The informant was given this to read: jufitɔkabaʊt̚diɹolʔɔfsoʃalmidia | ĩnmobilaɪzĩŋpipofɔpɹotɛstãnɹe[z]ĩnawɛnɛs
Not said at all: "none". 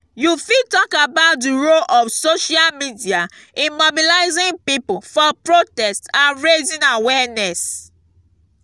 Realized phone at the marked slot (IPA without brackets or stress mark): z